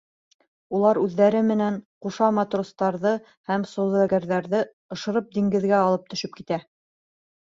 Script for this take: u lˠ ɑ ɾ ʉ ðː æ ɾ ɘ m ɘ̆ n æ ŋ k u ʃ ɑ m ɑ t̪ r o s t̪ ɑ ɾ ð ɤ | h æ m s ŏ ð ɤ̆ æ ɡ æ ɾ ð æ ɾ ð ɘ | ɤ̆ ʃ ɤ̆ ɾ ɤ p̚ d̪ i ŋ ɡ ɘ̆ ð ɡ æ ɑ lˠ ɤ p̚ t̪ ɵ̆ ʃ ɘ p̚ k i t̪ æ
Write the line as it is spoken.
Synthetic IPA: u lˠ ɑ ɾ ʉ ðː æ ɾ ɘ m ɘ̆ n æ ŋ q u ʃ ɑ m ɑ t̪ r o s t̪ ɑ ɾ ð ɤ | h æ m s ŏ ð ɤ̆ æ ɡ æ ɾ ð æ ɾ ð ɘ | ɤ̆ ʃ ɤ̆ ɾ ɤ p̚ d̪ i ŋ ɡ ɘ̆ ð ɡ æ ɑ lˠ ɤ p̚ t̪ ɵ̆ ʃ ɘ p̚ k i t̪ æ